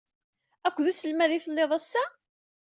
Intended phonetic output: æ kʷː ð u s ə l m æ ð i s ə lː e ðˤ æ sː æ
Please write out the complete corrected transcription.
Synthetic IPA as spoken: æ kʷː ð u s ə l m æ ð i θ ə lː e ðˤ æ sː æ